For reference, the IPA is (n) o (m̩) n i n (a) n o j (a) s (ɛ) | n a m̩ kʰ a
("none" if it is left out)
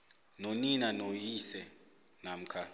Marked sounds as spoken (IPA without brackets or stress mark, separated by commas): n, none, a, i, ɛ